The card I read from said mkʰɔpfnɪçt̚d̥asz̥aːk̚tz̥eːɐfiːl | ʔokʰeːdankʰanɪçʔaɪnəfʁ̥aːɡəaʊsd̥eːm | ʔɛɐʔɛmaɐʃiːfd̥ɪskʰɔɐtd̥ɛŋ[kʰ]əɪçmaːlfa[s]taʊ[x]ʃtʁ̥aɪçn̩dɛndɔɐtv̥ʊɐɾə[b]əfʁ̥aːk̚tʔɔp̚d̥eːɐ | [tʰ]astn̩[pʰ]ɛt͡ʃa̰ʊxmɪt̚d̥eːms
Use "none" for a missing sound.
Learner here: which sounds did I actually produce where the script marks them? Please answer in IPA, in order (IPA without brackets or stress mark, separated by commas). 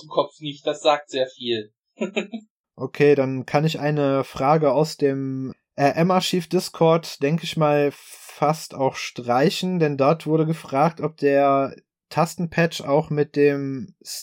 k, s, x, ɡ, tʰ, pʰ